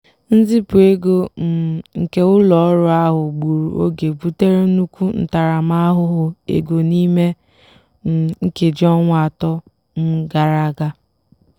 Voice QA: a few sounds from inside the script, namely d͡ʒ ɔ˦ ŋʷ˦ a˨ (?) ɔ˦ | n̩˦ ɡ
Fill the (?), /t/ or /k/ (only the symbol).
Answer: t